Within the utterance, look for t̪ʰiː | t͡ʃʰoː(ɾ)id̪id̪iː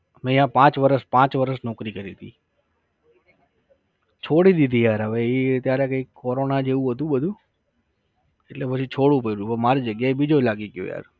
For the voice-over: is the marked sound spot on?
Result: no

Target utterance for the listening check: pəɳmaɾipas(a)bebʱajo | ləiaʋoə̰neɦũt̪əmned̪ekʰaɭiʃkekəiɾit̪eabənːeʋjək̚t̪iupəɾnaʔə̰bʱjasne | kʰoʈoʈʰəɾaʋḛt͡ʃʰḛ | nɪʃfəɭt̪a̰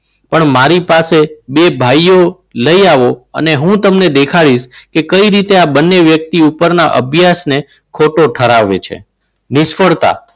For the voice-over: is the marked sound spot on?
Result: no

